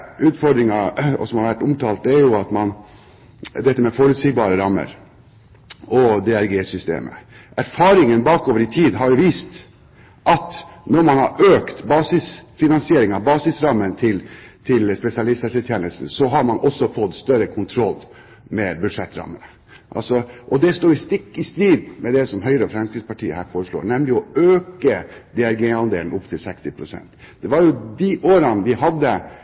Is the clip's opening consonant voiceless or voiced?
voiceless